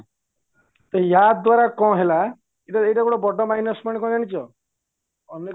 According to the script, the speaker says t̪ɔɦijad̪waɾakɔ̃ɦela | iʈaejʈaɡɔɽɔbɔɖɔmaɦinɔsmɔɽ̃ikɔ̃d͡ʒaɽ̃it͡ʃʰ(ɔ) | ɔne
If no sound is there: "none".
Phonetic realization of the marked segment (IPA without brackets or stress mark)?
ɔ